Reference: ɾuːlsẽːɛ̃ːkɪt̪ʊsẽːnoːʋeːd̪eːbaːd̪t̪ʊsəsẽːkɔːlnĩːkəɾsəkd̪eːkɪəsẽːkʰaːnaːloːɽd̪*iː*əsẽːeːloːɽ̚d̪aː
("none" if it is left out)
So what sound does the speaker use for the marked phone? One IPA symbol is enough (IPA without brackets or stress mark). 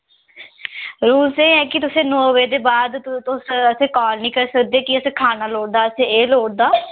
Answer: aː